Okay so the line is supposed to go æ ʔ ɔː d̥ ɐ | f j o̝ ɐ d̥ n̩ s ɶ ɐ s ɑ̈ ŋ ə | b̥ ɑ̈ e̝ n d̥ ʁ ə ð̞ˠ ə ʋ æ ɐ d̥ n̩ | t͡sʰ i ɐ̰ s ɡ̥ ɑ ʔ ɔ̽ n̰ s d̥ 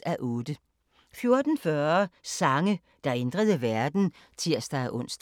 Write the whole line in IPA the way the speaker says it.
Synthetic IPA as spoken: æ ʔ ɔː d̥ ə | f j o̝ ɐ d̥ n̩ f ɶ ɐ s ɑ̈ ŋ ə | d̥ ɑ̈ e̝ n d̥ ʁ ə ð̞ˠ ə ʋ æ ɐ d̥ n̩ | t͡sʰ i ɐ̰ s d̥ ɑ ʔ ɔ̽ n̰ s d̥